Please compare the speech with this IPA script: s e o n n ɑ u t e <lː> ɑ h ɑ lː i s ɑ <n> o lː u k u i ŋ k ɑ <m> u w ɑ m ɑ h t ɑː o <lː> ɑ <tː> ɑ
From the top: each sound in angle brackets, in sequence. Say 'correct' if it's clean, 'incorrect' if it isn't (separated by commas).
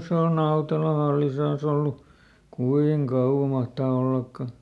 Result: incorrect, correct, incorrect, correct, incorrect